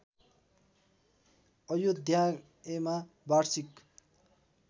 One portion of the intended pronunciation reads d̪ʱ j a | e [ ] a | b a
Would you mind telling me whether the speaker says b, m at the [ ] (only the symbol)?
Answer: m